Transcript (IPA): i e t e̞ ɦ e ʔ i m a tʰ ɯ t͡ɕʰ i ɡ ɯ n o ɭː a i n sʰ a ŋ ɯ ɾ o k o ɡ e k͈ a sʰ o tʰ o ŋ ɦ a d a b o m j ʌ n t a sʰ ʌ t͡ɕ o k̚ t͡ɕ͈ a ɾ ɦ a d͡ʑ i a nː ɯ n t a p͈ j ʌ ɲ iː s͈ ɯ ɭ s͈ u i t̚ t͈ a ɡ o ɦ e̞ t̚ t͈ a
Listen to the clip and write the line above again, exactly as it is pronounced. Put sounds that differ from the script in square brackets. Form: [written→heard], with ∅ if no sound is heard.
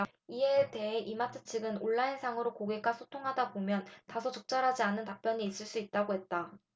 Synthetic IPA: i e t e̞ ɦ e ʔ i m a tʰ ɯ t͡ɕʰ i ɡ ɯ n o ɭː a i n sʰ a ŋ ɯ ɾ o k o ɡ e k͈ a sʰ o tʰ o ŋ ɦ a d a b o m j ʌ n t a sʰ ʌ t͡ɕ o k̚ t͡ɕ͈ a ɾ ɦ a d͡ʑ i a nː ɯ n t a p͈ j ʌ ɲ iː s͈ ɯ ɭ s͈ u i t̚ t͈ a ɡ o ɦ e̞ t̚ t͈ a